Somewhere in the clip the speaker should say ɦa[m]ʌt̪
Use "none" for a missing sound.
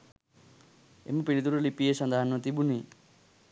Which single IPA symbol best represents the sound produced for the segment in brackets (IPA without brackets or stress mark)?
n